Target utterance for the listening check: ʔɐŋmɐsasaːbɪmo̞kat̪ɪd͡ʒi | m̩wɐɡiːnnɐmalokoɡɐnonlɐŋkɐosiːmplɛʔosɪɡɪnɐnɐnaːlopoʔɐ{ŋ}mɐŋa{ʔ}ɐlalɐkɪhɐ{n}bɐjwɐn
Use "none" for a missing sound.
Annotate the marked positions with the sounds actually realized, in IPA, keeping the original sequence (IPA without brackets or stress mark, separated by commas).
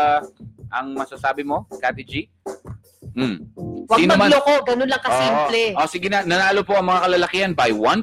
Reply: ŋ, k, n